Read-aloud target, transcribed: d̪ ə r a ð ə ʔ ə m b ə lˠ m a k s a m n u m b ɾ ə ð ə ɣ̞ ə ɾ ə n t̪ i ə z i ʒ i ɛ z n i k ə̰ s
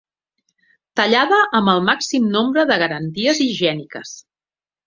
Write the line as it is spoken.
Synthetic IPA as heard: t̪ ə ʎ a ð ə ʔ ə m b ə lˠ m a k s i m n o m b ɾ ə ð ə ɣ̞ ə ɾ ə n t̪ i ə z i ʒ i ɛ n i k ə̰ s

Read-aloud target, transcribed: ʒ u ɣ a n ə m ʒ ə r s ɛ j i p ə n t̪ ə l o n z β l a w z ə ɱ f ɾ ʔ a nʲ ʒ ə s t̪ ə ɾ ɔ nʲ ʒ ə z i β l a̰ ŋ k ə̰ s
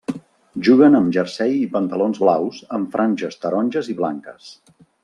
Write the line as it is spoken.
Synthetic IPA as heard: ʒ u ɣ ə n ə m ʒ ə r s ɛ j i p ə n t̪ ə l o n z β l a w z ə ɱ f ɾ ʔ a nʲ ʒ ə s t̪ ə ɾ ɔ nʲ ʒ ə z i β l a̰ ŋ k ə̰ s

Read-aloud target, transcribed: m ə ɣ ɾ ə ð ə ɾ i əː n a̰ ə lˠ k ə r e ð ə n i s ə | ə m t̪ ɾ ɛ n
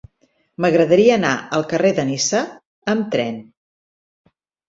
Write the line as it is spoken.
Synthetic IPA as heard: m ə ɣ ɾ ə ð ə ɾ i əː n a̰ ə lˠ k ə r e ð ə n i s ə | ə m t̪ ɾ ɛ n

